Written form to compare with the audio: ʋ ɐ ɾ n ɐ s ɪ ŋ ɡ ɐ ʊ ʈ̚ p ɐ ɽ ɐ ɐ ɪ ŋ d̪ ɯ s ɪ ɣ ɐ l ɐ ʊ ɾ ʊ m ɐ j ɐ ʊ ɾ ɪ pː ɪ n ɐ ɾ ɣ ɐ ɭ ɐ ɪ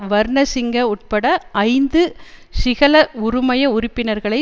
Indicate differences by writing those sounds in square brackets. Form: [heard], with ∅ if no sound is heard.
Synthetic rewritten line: ʋ ɐ ɾ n ɐ s ɪ ŋ ɡ ɐ ʊ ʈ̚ p ɐ ɽ ɐ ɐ ɪ [n] d̪ ɯ s ɪ ɣ ɐ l ɐ ʊ ɾ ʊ m ɐ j ɐ ʊ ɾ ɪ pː ɪ n ɐ ɾ ɣ ɐ ɭ ɐ ɪ